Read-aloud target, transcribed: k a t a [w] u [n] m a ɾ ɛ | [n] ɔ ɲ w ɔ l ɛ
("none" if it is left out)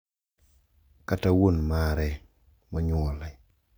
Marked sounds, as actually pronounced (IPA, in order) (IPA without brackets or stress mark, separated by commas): w, n, m